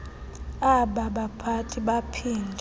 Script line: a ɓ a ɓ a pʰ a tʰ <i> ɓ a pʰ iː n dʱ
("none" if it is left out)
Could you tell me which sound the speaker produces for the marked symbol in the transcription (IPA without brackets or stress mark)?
i